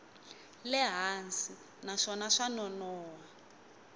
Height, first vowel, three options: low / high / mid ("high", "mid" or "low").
mid